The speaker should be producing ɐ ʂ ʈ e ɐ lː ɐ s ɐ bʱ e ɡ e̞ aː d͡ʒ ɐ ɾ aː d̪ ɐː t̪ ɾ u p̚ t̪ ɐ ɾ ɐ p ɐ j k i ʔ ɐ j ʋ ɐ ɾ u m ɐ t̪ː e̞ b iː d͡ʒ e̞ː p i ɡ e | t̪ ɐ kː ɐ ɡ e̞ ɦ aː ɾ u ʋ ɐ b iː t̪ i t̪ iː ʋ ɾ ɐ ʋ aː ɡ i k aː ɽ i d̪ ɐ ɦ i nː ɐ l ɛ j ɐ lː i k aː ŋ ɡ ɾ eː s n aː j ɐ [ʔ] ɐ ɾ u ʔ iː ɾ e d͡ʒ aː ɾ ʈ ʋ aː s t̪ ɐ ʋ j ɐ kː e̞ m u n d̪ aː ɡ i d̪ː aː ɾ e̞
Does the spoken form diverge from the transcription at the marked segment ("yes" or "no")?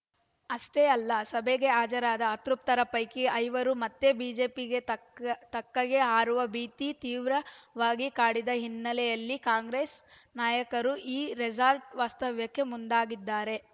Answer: yes